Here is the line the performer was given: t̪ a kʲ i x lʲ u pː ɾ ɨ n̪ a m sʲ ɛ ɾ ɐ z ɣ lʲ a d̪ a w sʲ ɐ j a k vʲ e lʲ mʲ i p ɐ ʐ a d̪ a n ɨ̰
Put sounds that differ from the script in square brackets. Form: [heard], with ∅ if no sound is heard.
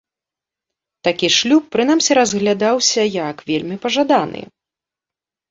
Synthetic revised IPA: t̪ a kʲ i [ʂ] lʲ u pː ɾ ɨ n̪ a m sʲ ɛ ɾ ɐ z ɣ lʲ a d̪ a w sʲ ɐ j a k vʲ e lʲ mʲ i p ɐ ʐ a d̪ a n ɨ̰

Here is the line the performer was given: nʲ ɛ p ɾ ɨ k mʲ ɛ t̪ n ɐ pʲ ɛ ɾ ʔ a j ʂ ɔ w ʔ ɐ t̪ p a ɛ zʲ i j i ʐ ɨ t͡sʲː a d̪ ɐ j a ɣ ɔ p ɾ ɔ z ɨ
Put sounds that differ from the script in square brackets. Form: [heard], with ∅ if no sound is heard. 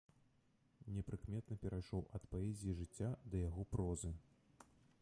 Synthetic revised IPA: nʲ ɛ p ɾ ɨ k mʲ ɛ t̪ n ɐ pʲ ɛ ɾ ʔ a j ʂ ɔ w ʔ ɐ t̪ p a ɛ zʲ i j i ʐ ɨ t͡sʲː a d̪ ɐ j a ɣ ɔ p ɾ ɔ z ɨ

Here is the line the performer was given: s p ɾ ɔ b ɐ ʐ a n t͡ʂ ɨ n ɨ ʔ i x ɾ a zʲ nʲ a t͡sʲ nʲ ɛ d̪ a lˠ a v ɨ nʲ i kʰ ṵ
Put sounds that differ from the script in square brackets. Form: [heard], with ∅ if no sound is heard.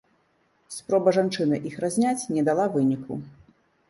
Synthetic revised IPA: s p ɾ ɔ b ɐ ʐ a n t͡ʂ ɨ n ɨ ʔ i x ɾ a zʲ nʲ a t͡sʲ nʲ ɛ d̪ a lˠ a v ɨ nʲ i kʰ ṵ

